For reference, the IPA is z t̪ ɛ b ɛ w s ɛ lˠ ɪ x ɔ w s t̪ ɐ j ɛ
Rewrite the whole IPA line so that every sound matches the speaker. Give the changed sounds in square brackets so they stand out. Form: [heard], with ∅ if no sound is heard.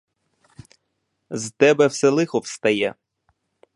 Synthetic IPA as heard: z t̪ ɛ b ɛ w s ɛ lˠ ɪ x ɔ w s t̪ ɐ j ɛ